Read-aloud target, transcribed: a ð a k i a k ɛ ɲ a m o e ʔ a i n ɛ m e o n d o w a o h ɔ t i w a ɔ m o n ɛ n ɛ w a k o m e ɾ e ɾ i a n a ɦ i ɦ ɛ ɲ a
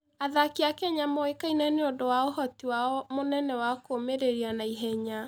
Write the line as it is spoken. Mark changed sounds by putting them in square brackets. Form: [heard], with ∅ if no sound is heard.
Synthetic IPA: a ð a k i a k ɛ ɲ a m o e [k] a i n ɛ [n] e o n d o w a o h ɔ t i w a ɔ m o n ɛ n ɛ w a k o m e ɾ e ɾ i a n a [∅] i ɦ ɛ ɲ a